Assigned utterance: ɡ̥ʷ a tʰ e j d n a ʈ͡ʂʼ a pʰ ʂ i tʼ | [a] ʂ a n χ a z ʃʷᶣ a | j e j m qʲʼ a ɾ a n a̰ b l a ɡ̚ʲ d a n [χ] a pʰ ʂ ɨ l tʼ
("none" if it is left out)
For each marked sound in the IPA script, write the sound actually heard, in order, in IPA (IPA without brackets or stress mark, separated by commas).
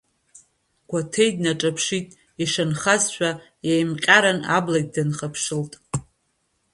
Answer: i, χ